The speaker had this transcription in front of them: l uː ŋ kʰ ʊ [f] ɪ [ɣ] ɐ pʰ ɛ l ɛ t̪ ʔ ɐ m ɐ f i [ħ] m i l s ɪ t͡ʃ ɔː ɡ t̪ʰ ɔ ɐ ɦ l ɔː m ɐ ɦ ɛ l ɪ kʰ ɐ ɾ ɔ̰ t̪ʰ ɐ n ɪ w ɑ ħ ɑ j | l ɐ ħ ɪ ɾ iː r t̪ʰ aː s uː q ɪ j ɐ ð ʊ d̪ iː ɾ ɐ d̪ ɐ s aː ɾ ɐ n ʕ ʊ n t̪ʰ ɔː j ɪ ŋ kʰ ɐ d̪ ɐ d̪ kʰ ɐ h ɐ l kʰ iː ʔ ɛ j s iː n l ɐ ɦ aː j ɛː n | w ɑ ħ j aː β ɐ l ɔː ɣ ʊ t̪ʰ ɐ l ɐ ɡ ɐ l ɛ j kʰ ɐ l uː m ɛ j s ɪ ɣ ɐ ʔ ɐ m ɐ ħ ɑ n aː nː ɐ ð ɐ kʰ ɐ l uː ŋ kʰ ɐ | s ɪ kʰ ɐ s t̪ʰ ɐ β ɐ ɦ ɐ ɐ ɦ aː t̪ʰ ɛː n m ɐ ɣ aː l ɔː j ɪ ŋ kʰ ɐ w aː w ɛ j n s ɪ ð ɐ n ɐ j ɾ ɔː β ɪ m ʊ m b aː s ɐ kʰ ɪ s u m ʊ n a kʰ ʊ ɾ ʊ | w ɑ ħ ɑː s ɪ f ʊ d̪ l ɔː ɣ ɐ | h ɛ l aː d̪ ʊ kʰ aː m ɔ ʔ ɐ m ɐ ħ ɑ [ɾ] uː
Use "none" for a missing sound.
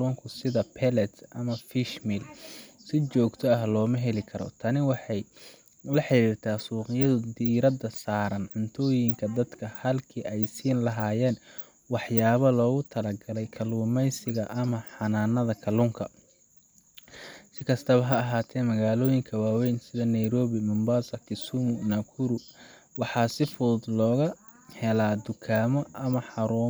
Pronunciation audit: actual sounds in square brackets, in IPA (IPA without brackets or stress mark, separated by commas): s, ð, ʃ, ɾ